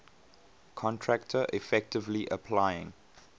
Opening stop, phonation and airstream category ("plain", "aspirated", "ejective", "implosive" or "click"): aspirated